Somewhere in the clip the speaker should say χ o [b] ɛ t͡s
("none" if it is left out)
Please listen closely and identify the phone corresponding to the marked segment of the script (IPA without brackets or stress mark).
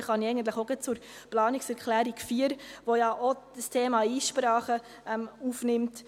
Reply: ɡ